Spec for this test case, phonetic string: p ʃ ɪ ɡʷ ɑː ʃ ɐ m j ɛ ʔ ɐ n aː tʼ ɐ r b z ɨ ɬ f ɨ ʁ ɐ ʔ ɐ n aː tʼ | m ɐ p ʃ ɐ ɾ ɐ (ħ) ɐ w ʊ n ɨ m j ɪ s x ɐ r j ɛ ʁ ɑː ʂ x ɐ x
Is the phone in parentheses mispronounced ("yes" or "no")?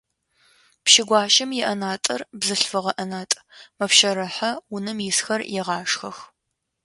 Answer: no